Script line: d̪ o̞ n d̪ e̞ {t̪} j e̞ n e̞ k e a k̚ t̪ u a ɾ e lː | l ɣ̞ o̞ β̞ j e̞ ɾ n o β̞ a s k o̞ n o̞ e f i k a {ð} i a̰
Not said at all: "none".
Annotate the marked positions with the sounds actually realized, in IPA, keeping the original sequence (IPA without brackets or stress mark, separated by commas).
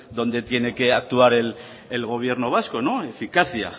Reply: t̪, θ